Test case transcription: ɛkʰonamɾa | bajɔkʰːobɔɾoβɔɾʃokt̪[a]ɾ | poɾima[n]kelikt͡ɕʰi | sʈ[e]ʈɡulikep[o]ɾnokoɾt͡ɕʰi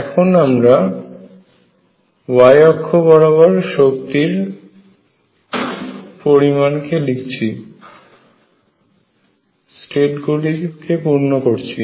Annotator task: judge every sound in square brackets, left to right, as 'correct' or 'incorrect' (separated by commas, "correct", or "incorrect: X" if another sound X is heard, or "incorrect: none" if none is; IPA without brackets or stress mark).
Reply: incorrect: i, correct, correct, incorrect: u